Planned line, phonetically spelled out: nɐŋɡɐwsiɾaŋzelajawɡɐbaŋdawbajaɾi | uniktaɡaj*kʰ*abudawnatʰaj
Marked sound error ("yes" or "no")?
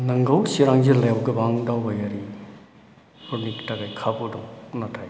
no